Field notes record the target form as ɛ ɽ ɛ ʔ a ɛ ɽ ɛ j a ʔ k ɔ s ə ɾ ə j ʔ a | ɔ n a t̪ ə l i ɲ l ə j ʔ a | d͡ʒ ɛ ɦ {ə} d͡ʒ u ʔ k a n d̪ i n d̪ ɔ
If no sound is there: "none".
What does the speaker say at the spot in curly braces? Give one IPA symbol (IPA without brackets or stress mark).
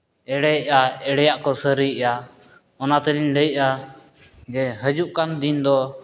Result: ə